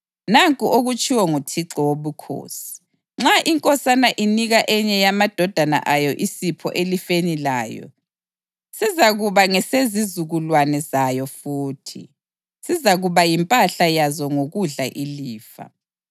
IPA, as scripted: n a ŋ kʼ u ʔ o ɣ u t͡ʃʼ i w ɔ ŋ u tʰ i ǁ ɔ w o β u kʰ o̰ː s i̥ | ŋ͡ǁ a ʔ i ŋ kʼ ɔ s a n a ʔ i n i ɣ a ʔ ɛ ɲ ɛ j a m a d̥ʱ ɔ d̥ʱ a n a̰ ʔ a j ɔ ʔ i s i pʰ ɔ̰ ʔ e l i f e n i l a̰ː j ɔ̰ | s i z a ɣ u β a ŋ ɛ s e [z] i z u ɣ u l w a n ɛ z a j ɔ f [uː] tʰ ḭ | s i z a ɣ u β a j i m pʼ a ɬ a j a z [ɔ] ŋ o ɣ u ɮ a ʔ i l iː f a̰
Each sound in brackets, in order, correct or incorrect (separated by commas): correct, correct, correct